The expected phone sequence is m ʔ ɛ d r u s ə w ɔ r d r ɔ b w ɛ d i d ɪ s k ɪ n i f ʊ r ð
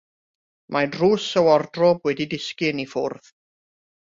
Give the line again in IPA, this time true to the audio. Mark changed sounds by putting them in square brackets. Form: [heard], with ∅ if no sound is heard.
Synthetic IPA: m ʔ [a] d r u s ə w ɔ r d r ɔ b w ɛ d i d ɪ s k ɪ n i f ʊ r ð